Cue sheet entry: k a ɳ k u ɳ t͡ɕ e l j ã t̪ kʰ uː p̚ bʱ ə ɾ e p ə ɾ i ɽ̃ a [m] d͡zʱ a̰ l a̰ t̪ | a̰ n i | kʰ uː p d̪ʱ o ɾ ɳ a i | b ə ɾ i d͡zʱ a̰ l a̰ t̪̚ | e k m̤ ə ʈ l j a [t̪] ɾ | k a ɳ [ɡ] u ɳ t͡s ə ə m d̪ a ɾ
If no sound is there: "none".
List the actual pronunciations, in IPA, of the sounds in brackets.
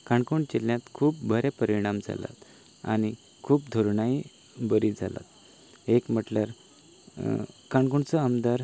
m, none, k

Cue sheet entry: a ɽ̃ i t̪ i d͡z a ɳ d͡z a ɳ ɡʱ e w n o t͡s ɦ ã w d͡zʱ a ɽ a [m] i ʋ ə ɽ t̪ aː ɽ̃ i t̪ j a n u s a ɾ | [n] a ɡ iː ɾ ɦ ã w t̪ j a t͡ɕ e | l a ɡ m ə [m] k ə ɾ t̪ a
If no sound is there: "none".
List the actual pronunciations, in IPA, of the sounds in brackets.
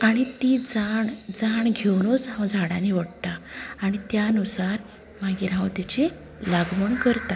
n, m, ɳ

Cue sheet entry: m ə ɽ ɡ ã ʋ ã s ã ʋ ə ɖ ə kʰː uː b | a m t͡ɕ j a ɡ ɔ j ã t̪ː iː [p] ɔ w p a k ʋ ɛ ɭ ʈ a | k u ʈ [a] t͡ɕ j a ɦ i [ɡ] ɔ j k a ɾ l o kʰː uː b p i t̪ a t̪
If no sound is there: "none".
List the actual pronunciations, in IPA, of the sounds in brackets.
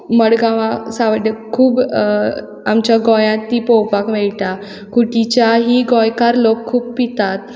p, i, ɡ

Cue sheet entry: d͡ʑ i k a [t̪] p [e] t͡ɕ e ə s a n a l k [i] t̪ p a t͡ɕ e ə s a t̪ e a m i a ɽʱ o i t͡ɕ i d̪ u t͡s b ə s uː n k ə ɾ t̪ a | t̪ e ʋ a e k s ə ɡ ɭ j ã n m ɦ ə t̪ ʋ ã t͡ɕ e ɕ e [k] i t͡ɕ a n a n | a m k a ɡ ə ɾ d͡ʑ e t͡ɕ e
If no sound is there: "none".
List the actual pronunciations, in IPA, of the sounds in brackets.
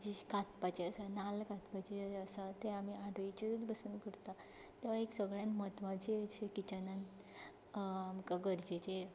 t̪, a, a, k

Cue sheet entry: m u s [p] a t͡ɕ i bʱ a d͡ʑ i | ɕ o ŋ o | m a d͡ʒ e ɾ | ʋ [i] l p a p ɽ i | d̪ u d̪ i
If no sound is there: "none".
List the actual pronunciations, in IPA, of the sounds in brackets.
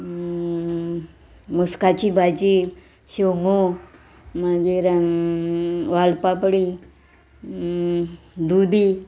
k, a

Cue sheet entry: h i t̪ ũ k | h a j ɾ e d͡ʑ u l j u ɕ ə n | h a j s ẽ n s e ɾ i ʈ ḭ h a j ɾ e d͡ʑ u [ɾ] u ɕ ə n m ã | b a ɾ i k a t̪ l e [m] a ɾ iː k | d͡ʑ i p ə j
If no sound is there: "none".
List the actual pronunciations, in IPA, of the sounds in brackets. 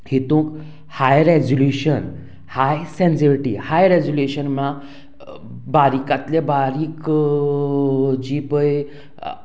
l, b

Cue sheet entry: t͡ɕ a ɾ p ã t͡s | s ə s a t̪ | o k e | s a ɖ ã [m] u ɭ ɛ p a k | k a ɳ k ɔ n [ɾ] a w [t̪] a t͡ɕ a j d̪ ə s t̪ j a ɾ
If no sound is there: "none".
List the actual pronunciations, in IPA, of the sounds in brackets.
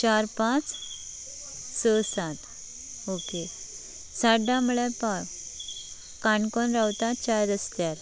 m, ɾ, t̪

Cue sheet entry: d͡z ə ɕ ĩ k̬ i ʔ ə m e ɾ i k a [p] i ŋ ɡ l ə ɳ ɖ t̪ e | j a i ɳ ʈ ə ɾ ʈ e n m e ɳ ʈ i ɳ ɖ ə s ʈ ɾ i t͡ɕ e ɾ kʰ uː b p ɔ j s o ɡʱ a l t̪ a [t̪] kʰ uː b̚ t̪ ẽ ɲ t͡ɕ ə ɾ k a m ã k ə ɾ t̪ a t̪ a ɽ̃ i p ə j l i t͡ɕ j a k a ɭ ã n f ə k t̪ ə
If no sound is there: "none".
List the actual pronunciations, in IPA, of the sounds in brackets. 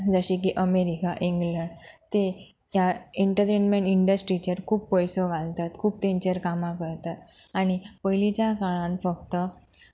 ʔ, t̪

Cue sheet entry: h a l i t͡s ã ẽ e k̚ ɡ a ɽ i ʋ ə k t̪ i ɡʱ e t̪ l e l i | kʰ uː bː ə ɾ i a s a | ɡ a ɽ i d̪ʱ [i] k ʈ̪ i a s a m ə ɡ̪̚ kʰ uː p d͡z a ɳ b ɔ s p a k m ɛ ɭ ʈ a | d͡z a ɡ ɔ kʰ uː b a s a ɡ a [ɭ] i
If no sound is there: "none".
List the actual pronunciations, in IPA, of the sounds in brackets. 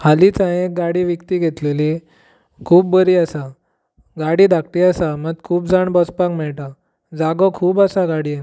a, ɽ

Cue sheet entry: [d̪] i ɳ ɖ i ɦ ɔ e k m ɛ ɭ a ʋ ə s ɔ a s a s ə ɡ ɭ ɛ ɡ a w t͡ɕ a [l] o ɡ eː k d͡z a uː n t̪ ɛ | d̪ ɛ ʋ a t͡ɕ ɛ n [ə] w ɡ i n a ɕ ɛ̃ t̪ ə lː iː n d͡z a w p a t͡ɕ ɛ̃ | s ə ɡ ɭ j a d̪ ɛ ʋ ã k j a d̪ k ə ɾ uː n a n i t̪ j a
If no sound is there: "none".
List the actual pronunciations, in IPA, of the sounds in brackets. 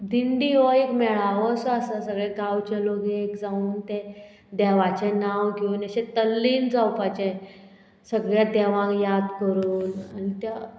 d̪, l, a

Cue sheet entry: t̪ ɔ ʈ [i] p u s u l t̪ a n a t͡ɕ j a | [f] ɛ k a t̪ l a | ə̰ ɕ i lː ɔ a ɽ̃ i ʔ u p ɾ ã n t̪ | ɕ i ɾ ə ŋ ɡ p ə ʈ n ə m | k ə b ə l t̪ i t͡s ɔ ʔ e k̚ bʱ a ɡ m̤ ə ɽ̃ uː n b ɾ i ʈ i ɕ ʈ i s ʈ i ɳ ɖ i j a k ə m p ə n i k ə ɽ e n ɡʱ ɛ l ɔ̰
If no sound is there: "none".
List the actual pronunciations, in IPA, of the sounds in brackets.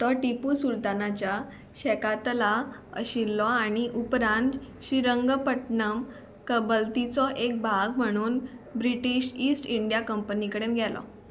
i, ɕ

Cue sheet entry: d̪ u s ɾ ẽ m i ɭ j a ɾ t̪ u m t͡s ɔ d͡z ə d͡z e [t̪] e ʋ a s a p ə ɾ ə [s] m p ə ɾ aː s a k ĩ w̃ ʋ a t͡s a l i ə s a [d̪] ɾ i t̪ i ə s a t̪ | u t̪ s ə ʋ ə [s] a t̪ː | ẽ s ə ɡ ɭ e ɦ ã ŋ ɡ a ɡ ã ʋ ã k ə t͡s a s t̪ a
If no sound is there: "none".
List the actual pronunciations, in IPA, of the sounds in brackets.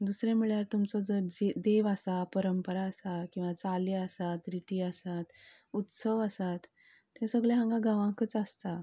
d̪, none, t̪, s

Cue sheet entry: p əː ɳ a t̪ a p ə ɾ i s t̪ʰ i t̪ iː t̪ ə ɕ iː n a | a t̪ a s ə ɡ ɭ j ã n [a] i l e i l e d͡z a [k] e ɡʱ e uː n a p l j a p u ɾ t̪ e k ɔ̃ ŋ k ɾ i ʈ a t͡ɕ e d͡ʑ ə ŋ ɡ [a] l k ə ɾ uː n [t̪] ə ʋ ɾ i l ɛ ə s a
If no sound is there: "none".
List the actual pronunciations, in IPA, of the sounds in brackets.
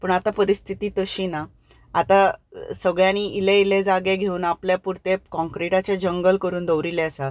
i, ɡ, ə, d̪

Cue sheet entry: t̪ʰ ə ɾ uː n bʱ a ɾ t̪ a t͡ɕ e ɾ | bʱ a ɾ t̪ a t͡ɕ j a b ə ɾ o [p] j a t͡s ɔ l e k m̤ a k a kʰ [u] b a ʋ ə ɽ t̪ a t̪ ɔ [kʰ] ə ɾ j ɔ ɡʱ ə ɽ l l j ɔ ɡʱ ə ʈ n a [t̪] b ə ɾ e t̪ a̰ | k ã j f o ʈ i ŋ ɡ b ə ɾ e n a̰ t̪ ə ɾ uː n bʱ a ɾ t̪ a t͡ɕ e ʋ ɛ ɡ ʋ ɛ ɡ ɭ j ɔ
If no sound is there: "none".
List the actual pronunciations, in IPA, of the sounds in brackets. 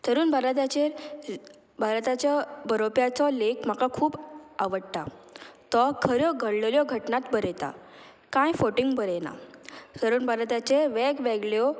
p, uː, kʰ, t̪

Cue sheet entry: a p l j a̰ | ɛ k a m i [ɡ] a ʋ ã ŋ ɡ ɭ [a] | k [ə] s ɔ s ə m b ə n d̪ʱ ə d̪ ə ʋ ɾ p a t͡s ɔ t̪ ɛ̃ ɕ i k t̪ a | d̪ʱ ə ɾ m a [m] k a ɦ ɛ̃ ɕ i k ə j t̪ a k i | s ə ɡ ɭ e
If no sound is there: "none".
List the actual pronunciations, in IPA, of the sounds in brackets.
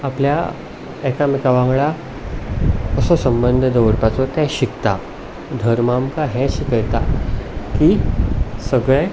k, a, ə, m

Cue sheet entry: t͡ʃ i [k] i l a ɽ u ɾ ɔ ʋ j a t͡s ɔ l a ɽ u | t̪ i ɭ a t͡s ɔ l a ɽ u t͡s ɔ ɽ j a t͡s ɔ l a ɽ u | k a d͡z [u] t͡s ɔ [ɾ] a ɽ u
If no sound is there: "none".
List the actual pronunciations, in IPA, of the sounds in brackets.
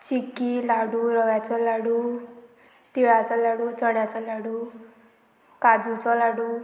k, u, l

